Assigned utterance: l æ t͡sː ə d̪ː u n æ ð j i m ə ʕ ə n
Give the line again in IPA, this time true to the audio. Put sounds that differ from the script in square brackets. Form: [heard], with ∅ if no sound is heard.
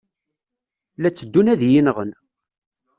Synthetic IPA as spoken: l æ t͡sː ə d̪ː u n æ ð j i [n] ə [ʁ] ə n